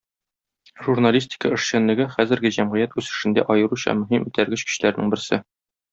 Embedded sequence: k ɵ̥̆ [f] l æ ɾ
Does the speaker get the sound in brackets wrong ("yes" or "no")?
yes